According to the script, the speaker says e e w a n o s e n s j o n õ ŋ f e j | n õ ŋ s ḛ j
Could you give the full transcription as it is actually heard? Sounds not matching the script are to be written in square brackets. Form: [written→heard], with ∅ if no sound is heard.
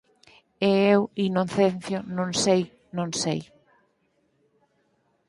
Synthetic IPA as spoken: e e w [a→i] n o [s→θ] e n [s→θ] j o n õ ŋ [f→s] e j | n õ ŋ s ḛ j